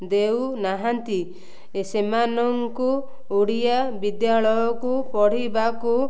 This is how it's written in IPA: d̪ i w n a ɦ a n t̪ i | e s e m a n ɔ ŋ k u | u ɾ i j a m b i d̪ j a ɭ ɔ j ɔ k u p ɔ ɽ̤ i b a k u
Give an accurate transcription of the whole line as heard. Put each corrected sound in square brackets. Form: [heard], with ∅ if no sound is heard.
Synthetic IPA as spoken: d̪ [e] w n a ɦ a n t̪ i | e s e m a n ɔ ŋ k u | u [ɽ] i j a [∅] b i d̪ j a ɭ ɔ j ɔ k u p ɔ ɽ̤ i b a k u